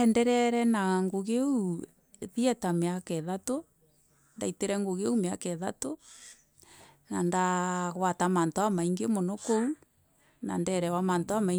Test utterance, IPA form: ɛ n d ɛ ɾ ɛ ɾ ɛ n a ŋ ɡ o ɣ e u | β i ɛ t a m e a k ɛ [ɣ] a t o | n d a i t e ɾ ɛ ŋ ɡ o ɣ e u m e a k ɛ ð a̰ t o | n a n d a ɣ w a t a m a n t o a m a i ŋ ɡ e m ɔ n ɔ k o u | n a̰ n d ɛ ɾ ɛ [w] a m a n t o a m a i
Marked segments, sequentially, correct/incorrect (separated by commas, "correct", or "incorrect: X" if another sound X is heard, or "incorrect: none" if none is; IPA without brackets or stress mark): incorrect: ð, correct